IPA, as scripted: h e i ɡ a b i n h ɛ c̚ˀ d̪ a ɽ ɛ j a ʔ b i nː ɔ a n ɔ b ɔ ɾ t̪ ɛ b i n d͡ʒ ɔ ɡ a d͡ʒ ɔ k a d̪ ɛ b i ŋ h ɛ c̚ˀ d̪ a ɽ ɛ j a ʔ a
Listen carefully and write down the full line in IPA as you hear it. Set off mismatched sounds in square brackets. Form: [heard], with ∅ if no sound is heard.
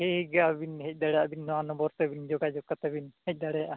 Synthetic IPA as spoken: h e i ɡ a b i n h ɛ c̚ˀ d̪ a ɽ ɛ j a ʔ b i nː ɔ a n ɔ b ɔ ɾ t̪ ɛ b i n d͡ʒ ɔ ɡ a d͡ʒ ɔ k a [t̪] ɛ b i [n] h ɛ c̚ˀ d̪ a ɽ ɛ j a ʔ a